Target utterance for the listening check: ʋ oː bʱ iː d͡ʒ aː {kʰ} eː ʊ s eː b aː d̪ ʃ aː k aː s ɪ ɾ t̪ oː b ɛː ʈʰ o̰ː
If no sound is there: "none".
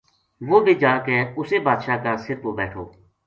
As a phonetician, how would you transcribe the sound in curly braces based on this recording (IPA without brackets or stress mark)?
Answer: k